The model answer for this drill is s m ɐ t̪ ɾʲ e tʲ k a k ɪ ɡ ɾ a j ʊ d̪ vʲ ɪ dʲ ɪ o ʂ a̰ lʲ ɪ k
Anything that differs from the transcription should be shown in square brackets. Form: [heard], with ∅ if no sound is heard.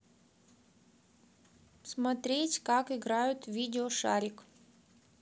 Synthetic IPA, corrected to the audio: s m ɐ t̪ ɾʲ e tʲ k a k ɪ ɡ ɾ a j ʊ [t̪] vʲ [i] dʲ ɪ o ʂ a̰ [ɾʲ] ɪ k